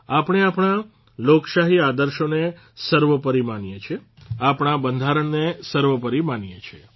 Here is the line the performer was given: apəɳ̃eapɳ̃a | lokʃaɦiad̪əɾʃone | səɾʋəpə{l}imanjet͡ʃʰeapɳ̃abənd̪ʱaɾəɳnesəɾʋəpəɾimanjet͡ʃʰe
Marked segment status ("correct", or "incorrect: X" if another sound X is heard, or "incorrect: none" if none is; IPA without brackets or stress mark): incorrect: ɾ